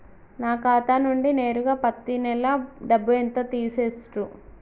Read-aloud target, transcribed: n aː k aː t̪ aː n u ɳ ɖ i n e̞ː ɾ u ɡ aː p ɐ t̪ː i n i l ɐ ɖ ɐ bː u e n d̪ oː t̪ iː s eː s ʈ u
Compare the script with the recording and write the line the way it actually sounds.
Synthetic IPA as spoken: n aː k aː t̪ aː n u ɳ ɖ i n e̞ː ɾ u ɡ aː p ɐ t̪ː i n ɛ l ɐ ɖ ɐ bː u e n t̪ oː t̪ iː s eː s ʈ u